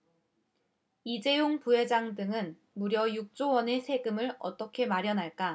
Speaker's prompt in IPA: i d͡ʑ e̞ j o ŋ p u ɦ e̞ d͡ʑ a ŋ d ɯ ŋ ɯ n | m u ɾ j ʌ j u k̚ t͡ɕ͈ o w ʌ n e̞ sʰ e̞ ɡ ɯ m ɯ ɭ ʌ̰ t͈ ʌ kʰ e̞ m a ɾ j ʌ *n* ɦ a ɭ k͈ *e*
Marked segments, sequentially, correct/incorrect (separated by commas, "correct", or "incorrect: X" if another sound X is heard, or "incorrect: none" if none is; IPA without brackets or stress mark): correct, incorrect: a